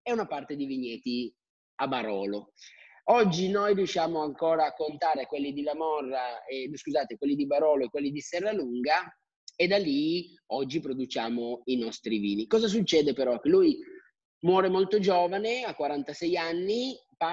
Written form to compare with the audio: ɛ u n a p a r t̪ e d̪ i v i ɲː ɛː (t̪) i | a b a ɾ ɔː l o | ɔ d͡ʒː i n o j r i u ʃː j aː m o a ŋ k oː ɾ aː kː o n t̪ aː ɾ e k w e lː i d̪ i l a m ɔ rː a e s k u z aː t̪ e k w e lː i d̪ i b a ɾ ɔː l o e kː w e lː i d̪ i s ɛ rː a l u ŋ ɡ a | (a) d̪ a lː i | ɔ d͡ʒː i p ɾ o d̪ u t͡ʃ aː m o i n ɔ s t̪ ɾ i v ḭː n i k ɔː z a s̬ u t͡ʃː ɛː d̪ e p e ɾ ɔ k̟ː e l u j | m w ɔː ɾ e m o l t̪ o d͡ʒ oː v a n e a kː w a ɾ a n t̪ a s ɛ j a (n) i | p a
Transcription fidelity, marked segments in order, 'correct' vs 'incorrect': correct, incorrect: e, incorrect: nː

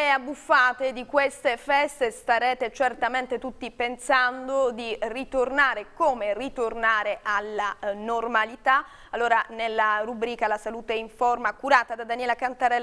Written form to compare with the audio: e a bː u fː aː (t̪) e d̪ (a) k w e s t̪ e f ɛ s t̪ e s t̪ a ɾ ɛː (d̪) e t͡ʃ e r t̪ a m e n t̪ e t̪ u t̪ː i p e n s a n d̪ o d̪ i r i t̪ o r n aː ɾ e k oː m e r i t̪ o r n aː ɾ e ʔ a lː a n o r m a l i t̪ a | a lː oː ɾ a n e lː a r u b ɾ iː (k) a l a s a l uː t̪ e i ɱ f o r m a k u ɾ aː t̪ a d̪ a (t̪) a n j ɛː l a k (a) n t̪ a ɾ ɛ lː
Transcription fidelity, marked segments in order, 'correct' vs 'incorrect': correct, incorrect: i, incorrect: t̪, correct, incorrect: d̪, correct

